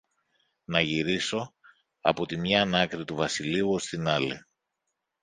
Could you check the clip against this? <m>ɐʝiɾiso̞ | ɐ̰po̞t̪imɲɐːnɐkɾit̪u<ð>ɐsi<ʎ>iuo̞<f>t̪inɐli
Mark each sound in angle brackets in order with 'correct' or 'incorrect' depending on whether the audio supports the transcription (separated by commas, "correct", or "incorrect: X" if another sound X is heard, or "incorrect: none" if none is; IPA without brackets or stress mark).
incorrect: n, incorrect: v, incorrect: l, incorrect: s